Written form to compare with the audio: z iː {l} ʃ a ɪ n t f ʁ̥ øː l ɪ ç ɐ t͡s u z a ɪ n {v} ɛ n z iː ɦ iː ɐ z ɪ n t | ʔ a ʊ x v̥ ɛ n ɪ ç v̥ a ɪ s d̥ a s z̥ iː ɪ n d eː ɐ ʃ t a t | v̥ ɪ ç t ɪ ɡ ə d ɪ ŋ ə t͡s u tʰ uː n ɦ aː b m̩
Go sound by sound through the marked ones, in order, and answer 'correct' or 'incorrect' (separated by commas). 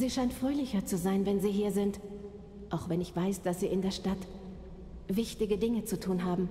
incorrect, correct